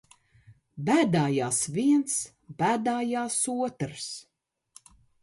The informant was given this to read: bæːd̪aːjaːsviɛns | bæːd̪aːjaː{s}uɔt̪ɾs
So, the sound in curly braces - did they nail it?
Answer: yes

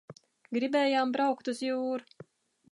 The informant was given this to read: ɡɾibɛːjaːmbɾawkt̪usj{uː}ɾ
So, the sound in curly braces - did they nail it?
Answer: yes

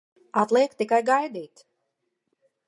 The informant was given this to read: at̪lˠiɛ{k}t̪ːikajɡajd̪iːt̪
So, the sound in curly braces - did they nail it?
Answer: yes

